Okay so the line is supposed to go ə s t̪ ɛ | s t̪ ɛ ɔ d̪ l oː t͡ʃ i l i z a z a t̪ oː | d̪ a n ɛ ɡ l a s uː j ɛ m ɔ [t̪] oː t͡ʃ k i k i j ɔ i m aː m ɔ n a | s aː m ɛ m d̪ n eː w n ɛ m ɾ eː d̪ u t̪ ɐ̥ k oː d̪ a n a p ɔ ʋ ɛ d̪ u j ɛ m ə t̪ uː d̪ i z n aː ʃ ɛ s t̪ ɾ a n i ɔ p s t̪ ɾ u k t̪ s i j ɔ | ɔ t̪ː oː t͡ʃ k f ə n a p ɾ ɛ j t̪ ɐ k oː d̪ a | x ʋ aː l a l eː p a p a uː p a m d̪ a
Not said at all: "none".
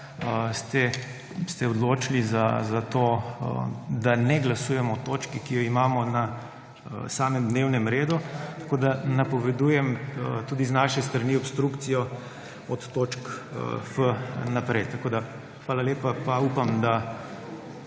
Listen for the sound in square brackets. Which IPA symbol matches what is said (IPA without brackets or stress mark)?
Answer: t̪